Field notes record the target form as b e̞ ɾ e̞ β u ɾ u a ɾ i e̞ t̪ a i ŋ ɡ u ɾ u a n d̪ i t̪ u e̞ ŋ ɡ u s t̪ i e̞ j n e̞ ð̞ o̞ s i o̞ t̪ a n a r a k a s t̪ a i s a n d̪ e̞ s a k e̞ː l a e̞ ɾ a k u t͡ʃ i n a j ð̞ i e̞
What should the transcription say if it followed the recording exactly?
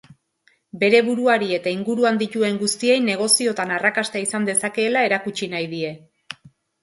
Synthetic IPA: b e̞ ɾ e̞ β u ɾ u a ɾ i e̞ t̪ a i ŋ ɡ u ɾ u a n d̪ i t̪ u e̞ ŋ ɡ u s t̪ i e̞ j n e̞ ɣ̞ o̞ s i o̞ t̪ a n a r a k a s t̪ a i s a n d̪ e̞ s a k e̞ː l a e̞ ɾ a k u t͡ʃ i n a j ð̞ i e̞